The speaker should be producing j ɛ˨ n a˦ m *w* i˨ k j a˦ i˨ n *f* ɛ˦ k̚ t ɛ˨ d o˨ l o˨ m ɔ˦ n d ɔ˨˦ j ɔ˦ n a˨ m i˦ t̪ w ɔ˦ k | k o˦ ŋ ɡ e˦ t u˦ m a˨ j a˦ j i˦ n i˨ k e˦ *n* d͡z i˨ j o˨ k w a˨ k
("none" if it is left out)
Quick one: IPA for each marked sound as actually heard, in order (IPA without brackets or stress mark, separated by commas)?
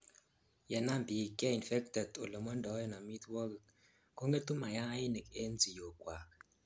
b, f, n